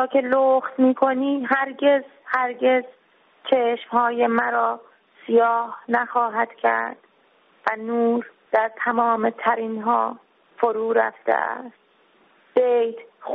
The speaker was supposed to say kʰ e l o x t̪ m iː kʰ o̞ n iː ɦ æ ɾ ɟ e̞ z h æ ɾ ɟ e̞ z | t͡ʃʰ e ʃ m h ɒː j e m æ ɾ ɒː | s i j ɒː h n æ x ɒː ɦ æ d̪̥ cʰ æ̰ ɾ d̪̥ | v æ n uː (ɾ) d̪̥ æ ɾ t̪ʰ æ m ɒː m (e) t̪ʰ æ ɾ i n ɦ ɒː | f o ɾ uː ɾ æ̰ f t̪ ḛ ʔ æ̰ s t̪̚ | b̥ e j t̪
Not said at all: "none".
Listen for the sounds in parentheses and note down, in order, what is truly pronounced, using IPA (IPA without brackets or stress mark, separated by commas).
ɾ, e